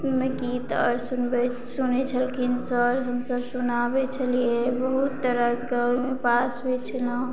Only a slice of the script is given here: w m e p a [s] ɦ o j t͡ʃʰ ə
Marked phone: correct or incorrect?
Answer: correct